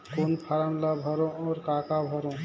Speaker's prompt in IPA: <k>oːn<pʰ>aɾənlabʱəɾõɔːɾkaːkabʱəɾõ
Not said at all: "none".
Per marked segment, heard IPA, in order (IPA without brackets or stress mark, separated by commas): k, pʰ